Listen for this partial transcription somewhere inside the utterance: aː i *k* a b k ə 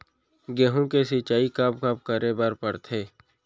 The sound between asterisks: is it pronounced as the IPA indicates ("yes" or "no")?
yes